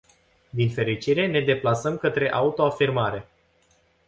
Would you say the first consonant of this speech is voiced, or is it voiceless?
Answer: voiced